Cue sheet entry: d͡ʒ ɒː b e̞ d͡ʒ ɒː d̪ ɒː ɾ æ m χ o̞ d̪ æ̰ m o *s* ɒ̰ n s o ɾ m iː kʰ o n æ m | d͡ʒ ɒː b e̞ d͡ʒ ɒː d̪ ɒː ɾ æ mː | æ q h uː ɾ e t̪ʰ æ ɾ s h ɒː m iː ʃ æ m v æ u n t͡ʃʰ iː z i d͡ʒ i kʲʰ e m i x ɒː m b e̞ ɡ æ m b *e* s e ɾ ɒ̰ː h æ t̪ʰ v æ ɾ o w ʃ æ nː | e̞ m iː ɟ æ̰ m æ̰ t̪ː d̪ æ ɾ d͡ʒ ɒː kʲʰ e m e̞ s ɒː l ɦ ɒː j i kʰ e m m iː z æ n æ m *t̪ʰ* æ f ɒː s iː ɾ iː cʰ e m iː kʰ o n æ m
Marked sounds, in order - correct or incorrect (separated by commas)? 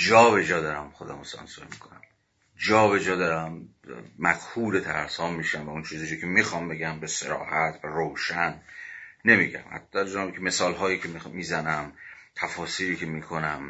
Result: correct, correct, correct